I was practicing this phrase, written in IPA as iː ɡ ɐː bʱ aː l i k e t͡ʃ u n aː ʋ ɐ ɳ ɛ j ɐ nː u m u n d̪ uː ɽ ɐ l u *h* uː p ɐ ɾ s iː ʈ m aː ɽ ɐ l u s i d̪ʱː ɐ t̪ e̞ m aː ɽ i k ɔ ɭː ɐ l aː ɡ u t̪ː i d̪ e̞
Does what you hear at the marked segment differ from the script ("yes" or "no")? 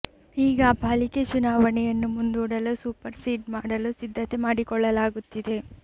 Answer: yes